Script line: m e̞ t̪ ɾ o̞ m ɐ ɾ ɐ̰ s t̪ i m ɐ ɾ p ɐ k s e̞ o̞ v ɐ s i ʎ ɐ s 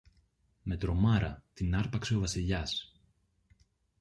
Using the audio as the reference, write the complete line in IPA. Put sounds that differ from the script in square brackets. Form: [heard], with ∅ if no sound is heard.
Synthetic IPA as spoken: m e̞ t̪ ɾ o̞ m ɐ ɾ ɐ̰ [∅] t̪ i [n] ɐ ɾ p ɐ k s e̞ o̞ v ɐ s i ʎ ɐ s